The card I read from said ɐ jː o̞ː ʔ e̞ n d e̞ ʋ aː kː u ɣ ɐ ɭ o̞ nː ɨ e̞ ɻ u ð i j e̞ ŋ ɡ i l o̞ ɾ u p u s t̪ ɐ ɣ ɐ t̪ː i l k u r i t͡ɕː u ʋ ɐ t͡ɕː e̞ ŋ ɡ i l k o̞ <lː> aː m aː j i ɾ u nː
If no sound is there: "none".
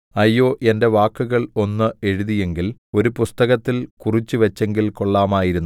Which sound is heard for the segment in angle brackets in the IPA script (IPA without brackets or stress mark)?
ɭː